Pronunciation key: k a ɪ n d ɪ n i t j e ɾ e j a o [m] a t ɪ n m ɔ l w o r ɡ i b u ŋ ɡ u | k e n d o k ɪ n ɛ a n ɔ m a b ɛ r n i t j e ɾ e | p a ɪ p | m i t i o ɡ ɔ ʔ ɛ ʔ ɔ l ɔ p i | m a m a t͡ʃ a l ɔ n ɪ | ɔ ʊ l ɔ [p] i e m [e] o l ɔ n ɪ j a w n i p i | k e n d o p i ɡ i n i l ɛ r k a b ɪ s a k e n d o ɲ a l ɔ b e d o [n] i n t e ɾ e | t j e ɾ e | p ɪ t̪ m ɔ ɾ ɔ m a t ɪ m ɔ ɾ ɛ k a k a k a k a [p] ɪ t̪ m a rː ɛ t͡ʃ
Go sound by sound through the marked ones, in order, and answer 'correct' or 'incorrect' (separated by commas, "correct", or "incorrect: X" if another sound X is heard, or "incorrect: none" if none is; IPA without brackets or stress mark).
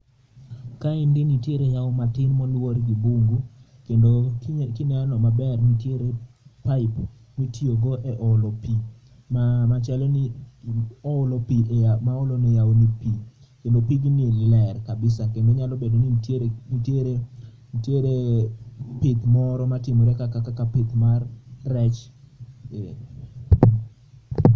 correct, correct, incorrect: a, correct, correct